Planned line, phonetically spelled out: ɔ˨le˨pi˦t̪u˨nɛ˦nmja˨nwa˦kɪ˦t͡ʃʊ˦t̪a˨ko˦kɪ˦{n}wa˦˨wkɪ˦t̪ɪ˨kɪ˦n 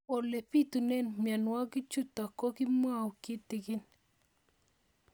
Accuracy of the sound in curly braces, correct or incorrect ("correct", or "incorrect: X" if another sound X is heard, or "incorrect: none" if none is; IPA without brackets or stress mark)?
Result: incorrect: m